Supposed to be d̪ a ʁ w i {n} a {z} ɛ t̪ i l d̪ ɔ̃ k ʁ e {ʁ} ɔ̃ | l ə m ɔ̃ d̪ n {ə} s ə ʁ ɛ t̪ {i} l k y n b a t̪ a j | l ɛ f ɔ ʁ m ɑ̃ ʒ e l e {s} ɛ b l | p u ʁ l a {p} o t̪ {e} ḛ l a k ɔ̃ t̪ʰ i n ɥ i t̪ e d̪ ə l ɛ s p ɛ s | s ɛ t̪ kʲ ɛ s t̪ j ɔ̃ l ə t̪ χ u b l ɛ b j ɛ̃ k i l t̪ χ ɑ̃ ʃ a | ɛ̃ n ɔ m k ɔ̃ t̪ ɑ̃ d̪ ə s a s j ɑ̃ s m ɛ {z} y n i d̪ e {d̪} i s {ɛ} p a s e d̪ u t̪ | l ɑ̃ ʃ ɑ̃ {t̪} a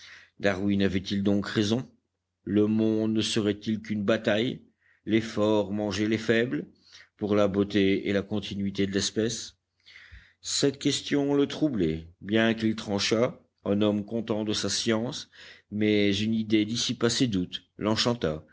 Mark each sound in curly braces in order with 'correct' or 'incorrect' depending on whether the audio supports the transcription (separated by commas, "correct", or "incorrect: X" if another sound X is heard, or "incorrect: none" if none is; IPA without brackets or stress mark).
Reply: correct, incorrect: v, incorrect: z, correct, correct, incorrect: f, incorrect: b, correct, correct, correct, incorrect: i, correct